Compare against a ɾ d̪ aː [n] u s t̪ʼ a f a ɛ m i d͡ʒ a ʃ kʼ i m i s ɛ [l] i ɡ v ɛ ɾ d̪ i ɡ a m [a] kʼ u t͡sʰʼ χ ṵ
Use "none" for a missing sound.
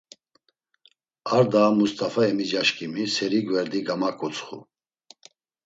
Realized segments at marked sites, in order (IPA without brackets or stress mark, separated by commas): m, ɾ, a